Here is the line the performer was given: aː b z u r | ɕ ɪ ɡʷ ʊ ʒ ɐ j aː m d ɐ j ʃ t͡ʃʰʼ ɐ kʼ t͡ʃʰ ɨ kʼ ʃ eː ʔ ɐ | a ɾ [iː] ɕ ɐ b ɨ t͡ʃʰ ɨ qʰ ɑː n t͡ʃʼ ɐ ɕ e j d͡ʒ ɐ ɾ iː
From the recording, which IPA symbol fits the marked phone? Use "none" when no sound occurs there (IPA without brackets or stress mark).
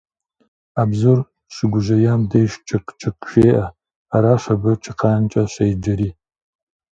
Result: aː